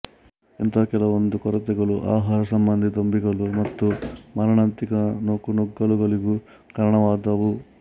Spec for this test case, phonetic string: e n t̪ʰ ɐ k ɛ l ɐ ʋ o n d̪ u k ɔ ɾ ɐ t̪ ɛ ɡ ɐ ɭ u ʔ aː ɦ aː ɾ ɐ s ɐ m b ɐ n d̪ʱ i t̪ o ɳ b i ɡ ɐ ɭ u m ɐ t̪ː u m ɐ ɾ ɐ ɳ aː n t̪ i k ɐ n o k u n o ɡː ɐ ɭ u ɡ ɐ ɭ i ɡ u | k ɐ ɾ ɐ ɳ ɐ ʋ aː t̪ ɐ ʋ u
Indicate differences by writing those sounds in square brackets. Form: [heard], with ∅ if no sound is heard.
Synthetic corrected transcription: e n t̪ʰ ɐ k ɛ l ɐ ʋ o n d̪ u k ɔ ɾ ɐ t̪ ɛ ɡ ɐ ɭ u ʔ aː ɦ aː ɾ ɐ s ɐ m b ɐ n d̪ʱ i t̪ o [m] b i ɡ ɐ ɭ u m ɐ t̪ː u m ɐ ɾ ɐ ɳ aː n t̪ i k ɐ n o k u n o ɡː ɐ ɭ u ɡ ɐ ɭ i ɡ u | k ɐ ɾ ɐ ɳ ɐ ʋ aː [d̪] ɐ ʋ u